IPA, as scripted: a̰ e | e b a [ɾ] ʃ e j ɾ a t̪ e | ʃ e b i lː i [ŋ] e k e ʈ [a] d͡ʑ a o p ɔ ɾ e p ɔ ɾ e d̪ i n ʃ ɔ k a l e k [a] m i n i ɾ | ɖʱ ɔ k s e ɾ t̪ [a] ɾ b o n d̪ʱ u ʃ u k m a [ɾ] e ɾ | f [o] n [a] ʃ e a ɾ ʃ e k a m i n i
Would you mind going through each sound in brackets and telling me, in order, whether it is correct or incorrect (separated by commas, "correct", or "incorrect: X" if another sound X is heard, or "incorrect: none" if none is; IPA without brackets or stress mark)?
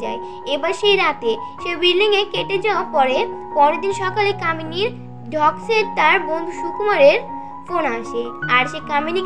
correct, correct, incorrect: e, correct, correct, correct, correct, correct